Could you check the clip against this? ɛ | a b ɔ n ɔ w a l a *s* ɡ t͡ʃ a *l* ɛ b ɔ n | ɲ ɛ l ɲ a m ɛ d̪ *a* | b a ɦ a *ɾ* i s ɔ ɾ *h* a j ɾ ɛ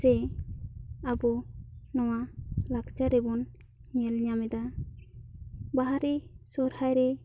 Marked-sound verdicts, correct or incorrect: incorrect, incorrect, correct, correct, correct

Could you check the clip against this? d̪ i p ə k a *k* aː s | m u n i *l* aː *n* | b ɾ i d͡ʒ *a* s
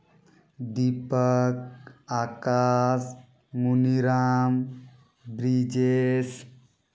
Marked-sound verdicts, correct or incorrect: correct, incorrect, incorrect, incorrect

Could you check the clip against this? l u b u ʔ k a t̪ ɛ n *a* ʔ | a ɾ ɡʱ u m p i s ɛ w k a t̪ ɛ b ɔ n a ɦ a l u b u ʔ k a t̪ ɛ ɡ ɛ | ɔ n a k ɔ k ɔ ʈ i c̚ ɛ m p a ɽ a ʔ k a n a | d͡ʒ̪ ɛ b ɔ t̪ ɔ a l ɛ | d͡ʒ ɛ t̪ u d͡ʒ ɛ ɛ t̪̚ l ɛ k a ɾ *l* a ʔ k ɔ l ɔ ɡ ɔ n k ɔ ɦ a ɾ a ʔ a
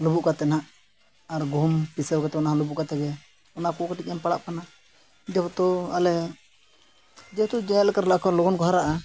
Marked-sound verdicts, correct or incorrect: correct, correct

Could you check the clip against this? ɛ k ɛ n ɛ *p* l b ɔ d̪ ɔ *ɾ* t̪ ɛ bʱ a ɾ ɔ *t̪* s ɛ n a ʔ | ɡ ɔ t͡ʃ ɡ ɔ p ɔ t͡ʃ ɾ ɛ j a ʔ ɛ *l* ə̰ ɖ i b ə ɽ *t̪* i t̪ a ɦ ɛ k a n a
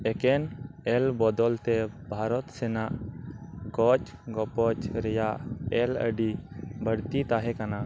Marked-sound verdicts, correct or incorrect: incorrect, incorrect, correct, correct, correct

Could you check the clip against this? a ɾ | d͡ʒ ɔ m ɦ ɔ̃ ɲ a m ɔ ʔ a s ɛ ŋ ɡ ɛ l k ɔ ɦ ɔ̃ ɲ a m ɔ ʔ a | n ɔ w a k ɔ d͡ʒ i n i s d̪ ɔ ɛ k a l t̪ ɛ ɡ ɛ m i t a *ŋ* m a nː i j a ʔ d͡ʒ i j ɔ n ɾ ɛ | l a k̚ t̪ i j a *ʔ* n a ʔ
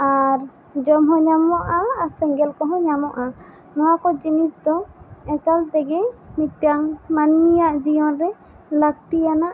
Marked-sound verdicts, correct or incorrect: correct, incorrect

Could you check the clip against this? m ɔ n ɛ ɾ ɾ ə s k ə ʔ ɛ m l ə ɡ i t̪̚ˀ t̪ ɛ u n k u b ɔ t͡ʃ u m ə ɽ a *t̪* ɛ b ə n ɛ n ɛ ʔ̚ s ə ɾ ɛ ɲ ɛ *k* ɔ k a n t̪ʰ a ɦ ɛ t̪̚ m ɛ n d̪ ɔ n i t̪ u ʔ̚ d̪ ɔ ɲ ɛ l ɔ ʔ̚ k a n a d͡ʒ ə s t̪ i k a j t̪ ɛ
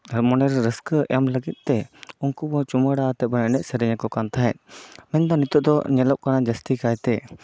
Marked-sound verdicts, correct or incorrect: correct, correct

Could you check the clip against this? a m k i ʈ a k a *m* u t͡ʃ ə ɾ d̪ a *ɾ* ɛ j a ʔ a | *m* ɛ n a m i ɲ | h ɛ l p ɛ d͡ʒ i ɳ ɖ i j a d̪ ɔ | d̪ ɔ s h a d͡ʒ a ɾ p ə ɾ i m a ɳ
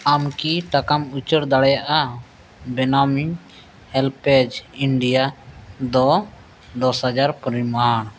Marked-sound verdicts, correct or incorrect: correct, incorrect, incorrect

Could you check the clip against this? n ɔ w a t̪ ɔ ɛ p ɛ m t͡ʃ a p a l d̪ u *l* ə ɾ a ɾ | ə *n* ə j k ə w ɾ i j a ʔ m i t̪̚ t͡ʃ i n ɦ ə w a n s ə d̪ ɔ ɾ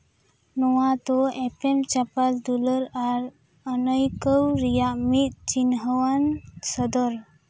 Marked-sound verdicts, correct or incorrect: correct, correct

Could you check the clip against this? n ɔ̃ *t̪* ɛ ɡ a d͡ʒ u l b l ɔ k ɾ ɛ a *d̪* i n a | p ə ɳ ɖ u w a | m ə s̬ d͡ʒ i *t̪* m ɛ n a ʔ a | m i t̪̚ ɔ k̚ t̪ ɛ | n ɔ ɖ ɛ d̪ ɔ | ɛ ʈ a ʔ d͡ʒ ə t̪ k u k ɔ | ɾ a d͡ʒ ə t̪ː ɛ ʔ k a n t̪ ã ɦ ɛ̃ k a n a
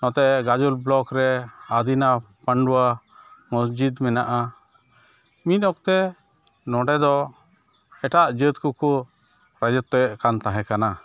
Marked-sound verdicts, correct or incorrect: correct, correct, incorrect

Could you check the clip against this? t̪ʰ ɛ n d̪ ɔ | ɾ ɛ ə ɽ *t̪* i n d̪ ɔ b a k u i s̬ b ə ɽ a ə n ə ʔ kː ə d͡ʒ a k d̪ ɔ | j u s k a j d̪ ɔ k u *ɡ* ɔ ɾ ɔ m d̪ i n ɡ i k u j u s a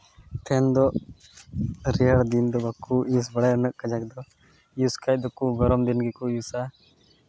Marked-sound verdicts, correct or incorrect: incorrect, correct

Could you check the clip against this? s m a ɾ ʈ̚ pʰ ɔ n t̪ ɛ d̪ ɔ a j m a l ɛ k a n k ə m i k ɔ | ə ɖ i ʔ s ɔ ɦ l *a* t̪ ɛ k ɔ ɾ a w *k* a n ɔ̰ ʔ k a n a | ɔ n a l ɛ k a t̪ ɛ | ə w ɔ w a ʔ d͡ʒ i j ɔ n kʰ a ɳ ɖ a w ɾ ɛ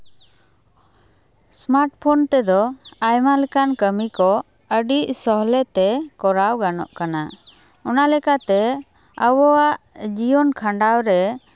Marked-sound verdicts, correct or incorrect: incorrect, incorrect

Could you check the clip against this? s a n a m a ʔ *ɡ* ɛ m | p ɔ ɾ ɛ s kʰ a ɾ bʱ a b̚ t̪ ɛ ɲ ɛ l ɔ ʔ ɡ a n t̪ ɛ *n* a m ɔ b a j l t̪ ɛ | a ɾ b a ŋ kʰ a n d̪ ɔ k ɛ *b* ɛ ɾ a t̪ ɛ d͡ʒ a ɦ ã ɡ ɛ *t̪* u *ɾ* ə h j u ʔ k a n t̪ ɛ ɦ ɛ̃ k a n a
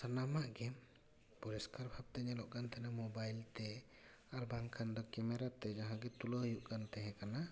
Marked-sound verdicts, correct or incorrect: correct, correct, incorrect, correct, incorrect

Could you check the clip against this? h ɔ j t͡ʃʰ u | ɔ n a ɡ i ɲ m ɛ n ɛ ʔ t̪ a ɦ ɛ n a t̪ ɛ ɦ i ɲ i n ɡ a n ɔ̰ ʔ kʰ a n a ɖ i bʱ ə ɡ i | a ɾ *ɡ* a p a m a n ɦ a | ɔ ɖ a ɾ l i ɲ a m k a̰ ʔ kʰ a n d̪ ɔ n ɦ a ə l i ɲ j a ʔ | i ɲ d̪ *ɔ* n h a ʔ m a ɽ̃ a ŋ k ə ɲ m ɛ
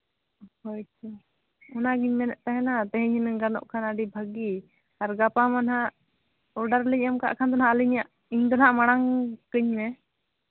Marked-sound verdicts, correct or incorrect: correct, correct

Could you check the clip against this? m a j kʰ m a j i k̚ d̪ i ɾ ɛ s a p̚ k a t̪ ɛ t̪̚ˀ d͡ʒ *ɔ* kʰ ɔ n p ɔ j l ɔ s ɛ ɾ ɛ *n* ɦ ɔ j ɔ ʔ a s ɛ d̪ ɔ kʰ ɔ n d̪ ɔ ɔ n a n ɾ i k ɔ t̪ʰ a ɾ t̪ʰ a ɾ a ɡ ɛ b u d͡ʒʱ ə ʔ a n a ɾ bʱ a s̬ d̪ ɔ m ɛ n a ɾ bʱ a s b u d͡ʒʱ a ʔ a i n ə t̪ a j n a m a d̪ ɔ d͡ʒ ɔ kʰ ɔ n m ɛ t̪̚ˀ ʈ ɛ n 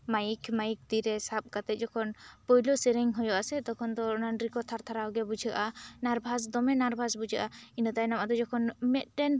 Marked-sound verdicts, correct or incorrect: correct, incorrect

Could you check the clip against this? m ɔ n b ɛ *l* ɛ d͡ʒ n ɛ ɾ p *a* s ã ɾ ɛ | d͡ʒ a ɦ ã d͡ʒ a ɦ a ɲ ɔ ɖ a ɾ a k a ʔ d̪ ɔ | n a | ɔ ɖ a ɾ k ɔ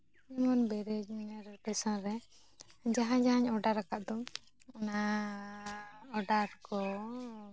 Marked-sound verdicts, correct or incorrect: incorrect, incorrect

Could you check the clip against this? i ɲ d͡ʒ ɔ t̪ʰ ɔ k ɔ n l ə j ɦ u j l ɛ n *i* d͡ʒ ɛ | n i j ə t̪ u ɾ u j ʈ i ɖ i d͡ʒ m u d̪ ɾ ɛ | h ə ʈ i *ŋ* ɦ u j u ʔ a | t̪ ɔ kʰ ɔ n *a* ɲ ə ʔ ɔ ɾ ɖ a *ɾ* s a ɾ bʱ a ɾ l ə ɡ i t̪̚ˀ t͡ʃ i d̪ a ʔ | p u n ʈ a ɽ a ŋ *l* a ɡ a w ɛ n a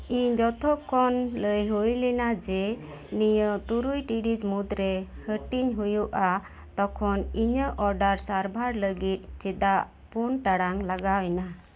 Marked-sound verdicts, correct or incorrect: incorrect, incorrect, incorrect, correct, correct

